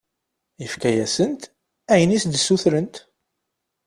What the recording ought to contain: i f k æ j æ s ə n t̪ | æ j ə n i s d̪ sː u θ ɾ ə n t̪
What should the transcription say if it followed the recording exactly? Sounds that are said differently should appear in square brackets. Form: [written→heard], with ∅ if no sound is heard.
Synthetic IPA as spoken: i f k æ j æ s ə n t̪ | æ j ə n i s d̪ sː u θ ɾ ə n t̪